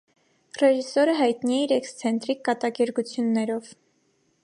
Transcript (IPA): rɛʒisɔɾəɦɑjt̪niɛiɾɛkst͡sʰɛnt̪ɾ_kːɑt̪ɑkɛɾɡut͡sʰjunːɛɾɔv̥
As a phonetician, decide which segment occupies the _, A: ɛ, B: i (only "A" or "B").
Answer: B